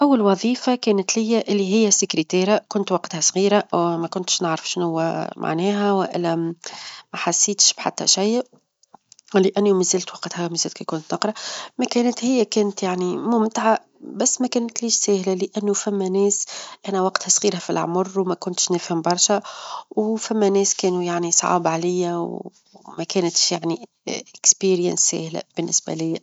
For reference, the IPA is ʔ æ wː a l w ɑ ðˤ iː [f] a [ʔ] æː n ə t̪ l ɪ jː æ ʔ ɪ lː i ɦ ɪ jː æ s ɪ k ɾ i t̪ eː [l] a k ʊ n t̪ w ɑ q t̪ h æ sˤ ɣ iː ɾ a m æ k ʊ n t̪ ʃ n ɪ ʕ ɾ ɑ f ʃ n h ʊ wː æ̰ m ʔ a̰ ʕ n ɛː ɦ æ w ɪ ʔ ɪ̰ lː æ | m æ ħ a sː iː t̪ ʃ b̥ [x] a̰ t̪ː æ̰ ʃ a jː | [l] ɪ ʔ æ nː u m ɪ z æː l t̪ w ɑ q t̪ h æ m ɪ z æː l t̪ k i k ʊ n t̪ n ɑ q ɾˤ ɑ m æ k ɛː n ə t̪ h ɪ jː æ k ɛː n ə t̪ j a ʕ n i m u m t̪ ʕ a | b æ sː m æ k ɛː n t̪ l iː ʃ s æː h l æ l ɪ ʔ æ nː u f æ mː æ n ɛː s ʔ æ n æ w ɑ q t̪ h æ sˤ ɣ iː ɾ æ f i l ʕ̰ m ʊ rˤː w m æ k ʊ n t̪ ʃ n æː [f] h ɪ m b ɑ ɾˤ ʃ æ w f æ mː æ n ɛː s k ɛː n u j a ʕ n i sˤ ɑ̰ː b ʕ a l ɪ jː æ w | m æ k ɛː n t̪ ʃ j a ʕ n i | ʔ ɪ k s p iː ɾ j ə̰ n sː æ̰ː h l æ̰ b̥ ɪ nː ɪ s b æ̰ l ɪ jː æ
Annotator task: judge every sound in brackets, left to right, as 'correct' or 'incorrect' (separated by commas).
correct, incorrect, incorrect, incorrect, correct, correct